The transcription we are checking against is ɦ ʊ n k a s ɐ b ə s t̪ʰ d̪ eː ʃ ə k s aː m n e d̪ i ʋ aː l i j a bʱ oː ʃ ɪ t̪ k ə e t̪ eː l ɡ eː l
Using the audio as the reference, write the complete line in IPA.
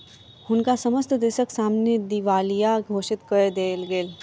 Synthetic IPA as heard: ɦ ʊ n k a s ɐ m ə s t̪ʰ d̪ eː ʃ ə k s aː m n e d̪ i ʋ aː l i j a ɡʱ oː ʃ ɪ t̪ k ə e d̪ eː l ɡ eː l